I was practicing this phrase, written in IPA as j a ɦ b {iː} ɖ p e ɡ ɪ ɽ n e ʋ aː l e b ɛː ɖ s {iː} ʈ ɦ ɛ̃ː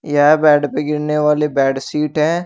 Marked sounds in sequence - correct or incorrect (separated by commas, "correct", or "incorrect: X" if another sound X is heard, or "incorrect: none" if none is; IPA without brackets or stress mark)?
incorrect: ɛː, correct